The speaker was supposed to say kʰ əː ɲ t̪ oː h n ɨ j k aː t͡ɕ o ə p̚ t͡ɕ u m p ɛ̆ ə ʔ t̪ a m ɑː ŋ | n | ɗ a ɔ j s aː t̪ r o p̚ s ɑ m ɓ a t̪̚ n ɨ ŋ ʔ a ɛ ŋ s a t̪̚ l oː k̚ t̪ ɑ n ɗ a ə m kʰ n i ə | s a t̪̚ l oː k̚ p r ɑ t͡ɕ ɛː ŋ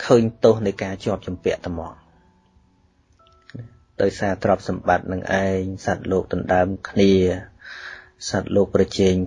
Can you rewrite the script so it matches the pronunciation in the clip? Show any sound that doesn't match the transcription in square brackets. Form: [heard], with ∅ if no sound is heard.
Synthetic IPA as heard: kʰ əː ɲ t̪ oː h n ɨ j k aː t͡ɕ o ə p̚ t͡ɕ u m p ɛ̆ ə ʔ t̪ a m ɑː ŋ | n | ɗ a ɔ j s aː t̪ r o p̚ s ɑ m ɓ a t̪̚ n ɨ ŋ ʔ a ɛ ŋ s a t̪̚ l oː k̚ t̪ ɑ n ɗ a ə m kʰ n i ə | s a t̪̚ l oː k̚ p r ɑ t͡ɕ ɛː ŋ